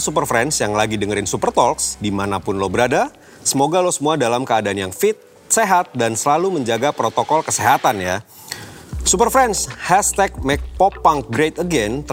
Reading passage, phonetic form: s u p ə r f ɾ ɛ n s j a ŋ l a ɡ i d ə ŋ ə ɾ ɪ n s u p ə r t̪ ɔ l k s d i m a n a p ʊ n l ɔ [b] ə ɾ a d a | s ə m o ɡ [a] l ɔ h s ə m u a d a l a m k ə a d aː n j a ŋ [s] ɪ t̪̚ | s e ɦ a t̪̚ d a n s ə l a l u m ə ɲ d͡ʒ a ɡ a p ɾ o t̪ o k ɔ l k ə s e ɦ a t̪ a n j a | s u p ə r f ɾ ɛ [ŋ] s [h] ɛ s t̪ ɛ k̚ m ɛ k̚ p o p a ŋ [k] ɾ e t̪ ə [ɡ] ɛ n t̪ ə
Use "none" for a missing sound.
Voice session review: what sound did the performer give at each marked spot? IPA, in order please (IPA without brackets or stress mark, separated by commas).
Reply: b, a, f, n, h, ɡ, ɡ